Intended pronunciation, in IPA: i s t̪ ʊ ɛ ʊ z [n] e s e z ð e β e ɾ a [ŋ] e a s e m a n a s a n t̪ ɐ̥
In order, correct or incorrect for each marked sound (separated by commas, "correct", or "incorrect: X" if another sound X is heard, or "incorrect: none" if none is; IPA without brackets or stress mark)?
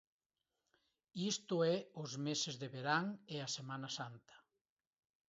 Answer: incorrect: m, correct